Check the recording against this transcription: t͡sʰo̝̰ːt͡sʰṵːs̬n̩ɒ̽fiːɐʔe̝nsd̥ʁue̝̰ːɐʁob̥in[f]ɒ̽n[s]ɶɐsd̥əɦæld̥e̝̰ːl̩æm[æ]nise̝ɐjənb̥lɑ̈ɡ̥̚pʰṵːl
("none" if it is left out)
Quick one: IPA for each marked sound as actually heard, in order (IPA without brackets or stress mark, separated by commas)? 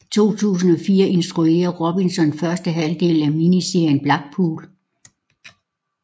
s, f, i